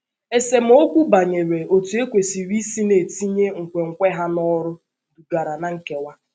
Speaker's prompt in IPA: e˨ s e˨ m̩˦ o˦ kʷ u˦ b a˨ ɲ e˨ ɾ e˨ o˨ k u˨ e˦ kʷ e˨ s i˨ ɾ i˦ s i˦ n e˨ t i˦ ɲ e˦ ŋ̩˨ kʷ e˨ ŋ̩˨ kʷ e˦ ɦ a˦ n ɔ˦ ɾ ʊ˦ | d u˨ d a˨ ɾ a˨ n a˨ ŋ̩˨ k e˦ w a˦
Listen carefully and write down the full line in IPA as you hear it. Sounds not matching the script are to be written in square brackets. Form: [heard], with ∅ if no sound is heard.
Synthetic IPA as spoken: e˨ s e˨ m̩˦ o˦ kʷ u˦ b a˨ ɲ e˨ ɾ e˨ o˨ [t] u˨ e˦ kʷ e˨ s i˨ ɾ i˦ s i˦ n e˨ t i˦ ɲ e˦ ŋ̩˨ kʷ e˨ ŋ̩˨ kʷ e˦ ɦ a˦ n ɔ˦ ɾ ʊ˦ | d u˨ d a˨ ɾ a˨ n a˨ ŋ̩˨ k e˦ w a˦